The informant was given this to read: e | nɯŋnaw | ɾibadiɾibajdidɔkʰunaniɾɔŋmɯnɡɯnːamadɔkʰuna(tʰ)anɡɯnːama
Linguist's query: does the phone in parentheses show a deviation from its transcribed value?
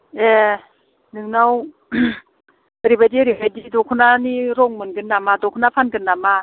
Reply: yes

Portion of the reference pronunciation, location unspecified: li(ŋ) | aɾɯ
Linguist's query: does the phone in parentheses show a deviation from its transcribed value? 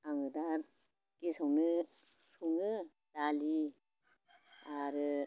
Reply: yes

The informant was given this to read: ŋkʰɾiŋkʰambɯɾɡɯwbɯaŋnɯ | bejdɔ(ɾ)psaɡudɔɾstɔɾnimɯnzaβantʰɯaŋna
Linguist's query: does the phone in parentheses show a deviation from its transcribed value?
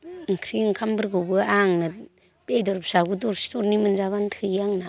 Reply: no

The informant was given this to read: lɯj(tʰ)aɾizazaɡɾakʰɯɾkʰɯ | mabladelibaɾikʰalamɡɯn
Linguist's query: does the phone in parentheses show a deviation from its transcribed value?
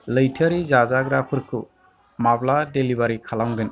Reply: no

